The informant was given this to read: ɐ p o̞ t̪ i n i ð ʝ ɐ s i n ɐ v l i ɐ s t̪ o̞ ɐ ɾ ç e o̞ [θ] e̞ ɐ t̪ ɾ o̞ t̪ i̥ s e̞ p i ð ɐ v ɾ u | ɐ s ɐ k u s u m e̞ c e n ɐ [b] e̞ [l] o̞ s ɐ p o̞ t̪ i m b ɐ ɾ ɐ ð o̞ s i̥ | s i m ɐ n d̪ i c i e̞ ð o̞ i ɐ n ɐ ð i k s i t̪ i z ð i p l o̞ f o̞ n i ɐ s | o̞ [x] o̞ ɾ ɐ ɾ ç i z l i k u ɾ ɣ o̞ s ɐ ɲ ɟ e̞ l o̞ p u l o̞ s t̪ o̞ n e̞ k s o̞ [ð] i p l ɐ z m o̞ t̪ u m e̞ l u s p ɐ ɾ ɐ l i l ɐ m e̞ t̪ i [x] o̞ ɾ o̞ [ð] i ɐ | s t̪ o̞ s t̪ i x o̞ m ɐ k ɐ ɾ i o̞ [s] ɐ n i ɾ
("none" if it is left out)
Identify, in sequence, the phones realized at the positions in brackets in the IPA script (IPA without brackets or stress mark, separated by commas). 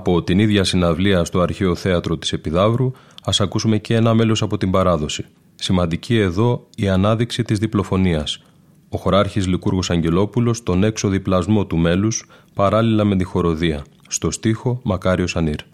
θ, m, l, x, ð, x, ð, s